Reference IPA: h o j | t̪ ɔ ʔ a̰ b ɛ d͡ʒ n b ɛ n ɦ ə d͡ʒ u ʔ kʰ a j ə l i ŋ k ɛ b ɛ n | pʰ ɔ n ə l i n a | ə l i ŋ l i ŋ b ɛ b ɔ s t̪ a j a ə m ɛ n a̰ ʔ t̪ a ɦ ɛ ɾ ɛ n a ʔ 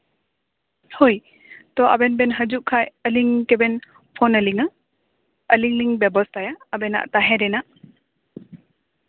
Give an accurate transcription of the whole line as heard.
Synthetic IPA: h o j | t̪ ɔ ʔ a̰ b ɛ n b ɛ n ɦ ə d͡ʒ u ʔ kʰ a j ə l i ŋ k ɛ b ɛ n | pʰ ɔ n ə l i ŋ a | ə l i ŋ l i ŋ b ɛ b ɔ s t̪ a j a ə b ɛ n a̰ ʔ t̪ a ɦ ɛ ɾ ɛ n a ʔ